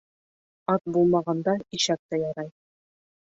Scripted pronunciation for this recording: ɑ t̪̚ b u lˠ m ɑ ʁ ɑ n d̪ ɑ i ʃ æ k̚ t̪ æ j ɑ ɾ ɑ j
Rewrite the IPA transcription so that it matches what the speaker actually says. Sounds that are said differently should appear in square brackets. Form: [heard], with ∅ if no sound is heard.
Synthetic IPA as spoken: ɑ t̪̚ b u lˠ m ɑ ʁ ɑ n d̪ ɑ i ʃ æ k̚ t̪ æ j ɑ ɾ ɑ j